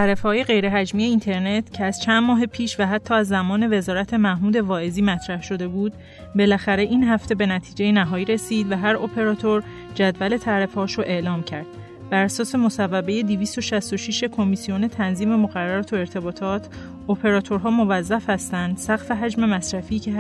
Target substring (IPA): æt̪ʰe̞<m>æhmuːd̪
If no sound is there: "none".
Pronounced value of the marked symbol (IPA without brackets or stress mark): m